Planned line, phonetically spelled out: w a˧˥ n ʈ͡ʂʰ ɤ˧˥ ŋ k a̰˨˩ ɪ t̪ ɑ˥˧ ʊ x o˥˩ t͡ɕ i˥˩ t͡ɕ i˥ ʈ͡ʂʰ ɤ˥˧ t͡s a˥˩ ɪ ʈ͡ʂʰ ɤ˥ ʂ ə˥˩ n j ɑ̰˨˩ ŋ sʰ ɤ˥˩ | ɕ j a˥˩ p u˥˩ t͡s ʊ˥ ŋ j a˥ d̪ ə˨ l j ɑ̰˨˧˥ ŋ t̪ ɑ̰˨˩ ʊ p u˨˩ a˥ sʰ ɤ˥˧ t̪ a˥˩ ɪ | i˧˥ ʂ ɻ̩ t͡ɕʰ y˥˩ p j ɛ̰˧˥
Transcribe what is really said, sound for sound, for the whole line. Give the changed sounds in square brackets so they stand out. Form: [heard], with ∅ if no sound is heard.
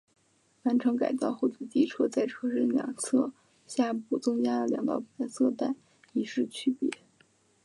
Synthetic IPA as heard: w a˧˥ n ʈ͡ʂʰ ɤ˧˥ ŋ k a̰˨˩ ɪ t̪ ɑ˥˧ ʊ x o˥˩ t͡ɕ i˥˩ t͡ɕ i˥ ʈ͡ʂʰ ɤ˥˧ t͡s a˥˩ ɪ ʈ͡ʂʰ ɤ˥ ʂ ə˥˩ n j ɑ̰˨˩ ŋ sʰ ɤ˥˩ | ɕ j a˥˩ p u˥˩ t͡s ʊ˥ ŋ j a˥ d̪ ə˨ l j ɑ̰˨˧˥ ŋ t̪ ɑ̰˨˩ ʊ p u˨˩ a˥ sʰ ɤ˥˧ t̪ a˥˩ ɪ | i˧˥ ʂ ɻ̩ t͡ɕʰ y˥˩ p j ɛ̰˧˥